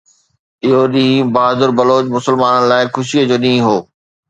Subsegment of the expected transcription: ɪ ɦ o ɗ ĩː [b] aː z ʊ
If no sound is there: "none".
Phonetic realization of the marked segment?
b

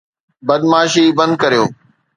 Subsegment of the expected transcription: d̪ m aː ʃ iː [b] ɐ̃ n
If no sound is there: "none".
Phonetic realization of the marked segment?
b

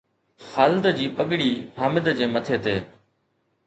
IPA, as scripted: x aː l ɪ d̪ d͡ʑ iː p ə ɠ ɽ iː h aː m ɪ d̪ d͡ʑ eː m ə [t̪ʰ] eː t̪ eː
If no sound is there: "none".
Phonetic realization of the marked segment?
t̪ʰ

